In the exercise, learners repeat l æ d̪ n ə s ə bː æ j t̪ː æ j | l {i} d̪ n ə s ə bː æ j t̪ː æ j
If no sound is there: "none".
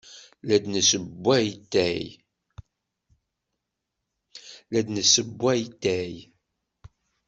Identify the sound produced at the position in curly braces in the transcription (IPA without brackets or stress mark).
æ